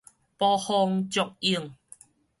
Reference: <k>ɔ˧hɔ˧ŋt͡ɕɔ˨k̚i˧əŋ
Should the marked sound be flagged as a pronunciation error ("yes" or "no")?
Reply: yes